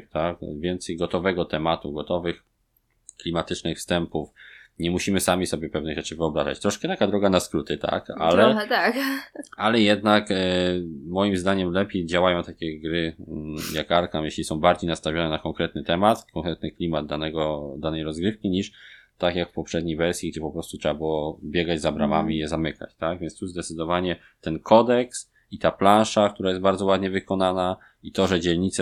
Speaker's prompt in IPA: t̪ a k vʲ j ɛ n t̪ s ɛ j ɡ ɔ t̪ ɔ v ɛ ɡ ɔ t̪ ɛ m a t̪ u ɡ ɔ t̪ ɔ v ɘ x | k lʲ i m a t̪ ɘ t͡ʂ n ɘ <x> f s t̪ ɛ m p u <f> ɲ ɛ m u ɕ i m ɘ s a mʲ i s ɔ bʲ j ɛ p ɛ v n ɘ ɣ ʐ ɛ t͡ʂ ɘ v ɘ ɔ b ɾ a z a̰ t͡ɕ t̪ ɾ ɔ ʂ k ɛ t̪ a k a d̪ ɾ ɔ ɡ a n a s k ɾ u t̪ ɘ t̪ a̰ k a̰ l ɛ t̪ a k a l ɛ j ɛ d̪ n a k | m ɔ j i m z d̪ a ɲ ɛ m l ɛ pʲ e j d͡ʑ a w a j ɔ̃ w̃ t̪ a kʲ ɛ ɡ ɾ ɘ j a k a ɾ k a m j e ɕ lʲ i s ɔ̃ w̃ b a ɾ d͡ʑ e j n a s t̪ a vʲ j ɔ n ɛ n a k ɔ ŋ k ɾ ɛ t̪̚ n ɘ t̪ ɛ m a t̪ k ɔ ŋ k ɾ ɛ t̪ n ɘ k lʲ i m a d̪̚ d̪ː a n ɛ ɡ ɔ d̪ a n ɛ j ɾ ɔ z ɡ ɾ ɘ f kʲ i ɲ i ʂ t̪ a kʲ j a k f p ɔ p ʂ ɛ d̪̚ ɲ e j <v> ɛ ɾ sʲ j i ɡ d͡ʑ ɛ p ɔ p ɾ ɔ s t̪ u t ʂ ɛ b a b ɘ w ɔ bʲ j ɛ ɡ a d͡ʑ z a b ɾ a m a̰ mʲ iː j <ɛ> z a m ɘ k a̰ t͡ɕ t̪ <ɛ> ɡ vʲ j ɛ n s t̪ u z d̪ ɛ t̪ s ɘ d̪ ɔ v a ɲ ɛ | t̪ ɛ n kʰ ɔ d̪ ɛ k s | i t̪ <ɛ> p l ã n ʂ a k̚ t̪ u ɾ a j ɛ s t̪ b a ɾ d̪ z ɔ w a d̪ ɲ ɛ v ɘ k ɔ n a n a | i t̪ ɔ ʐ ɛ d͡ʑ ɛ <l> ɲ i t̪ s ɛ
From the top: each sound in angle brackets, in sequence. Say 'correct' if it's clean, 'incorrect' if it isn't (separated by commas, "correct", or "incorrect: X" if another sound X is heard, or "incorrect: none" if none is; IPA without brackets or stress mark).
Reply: correct, correct, correct, correct, incorrect: a, incorrect: a, correct